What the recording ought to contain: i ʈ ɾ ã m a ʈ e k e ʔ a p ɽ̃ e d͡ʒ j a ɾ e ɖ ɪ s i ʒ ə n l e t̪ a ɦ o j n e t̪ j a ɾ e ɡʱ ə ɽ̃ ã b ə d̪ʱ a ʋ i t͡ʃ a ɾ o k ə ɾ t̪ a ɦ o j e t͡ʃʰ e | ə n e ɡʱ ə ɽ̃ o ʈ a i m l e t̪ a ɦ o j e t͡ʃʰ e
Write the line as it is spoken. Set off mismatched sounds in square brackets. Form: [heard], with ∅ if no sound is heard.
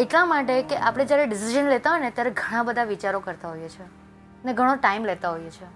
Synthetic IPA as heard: [e] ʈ [l] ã m a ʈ e k e ʔ a p ɽ̃ e d͡ʒ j a ɾ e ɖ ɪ s i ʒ ə n l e t̪ a ɦ o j n e t̪ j a ɾ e ɡʱ ə ɽ̃ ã b ə d̪ʱ a ʋ i t͡ʃ a ɾ o k ə ɾ t̪ a ɦ o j e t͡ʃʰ e | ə n e ɡʱ ə ɽ̃ o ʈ a i m l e t̪ a ɦ o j e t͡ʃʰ e